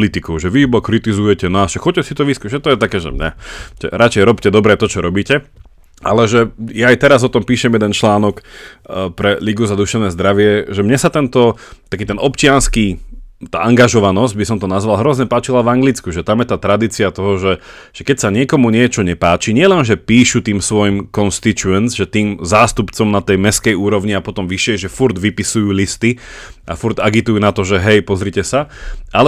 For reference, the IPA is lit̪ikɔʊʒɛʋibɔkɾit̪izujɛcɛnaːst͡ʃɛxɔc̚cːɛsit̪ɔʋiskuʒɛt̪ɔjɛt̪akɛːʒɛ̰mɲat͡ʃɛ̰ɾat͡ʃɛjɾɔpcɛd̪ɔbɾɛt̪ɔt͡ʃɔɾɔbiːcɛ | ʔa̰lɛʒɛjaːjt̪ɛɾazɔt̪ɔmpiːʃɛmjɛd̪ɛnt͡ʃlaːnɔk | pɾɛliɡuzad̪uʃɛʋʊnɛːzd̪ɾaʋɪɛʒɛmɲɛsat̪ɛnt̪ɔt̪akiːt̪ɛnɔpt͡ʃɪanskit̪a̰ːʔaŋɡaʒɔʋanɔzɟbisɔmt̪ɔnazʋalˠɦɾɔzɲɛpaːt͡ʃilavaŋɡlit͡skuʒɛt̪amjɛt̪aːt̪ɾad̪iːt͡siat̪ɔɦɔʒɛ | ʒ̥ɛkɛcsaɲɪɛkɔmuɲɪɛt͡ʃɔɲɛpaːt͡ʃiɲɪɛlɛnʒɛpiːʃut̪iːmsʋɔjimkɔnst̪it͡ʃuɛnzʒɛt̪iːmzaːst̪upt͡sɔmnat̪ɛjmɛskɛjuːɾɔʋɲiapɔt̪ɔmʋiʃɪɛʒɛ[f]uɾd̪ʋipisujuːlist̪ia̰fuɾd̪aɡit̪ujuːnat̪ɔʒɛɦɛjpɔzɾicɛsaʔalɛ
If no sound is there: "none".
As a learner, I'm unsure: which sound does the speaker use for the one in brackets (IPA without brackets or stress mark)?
f